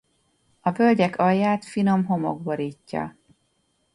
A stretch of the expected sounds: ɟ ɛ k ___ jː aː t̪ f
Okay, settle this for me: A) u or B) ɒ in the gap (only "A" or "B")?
B